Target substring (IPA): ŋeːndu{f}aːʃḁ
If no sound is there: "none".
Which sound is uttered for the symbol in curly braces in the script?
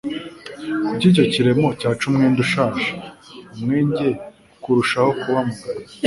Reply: ʃ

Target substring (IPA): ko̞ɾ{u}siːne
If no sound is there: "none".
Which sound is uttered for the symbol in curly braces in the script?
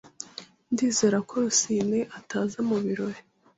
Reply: u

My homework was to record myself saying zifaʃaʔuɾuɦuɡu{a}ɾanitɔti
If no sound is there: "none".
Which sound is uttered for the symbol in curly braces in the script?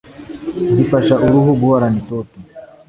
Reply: a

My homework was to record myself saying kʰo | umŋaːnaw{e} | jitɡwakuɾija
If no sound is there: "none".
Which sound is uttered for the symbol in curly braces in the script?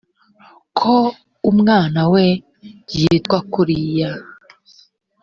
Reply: e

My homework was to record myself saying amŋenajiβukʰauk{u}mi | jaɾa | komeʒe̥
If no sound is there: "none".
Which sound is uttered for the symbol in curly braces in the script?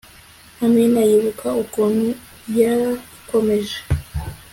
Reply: o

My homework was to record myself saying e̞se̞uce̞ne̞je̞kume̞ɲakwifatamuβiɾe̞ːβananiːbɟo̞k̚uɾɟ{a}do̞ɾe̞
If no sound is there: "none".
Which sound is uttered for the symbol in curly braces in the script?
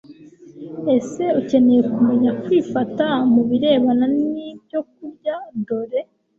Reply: a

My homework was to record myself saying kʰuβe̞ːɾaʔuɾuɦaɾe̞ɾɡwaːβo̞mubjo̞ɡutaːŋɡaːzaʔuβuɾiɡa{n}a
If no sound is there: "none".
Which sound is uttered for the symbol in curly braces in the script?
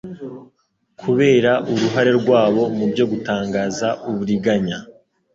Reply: ɲ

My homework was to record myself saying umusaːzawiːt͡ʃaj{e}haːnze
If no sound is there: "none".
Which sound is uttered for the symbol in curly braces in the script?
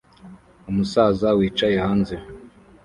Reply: e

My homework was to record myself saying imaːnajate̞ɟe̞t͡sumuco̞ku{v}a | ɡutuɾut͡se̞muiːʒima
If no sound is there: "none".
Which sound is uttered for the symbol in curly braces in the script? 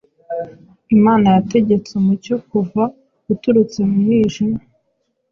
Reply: v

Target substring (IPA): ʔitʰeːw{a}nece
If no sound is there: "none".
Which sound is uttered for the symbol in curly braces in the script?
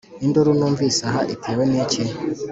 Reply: e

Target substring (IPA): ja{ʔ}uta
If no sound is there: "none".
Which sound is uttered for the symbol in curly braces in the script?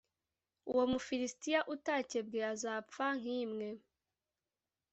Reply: ʔ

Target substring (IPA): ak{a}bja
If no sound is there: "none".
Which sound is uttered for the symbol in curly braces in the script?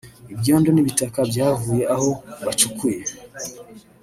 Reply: a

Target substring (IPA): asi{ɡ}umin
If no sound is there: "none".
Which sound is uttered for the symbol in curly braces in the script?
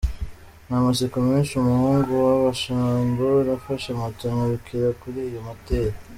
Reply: k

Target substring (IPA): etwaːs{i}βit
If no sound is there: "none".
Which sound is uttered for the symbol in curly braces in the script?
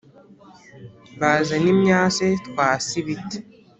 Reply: i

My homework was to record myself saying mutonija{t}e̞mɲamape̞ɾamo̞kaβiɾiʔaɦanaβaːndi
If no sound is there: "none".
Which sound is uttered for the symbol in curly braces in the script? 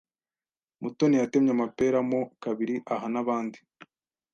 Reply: t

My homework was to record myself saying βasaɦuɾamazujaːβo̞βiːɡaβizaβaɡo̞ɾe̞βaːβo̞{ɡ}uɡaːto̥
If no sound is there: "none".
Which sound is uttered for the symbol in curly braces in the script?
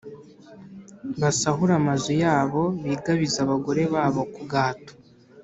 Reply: k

